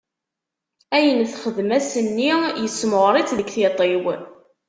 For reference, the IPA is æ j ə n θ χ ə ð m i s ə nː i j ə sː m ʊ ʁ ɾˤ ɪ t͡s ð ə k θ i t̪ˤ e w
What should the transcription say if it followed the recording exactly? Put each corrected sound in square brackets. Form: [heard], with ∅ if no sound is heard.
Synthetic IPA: æ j ə n θ χ ə ð m [æ] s ə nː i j ə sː m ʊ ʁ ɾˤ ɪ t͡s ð ə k θ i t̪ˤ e w